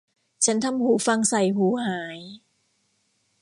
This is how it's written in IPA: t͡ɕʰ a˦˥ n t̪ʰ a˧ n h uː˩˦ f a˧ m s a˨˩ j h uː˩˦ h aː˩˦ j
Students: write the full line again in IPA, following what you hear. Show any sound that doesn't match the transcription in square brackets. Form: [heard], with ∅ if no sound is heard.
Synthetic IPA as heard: t͡ɕʰ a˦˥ n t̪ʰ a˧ [m] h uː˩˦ f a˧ [ŋ] s a˨˩ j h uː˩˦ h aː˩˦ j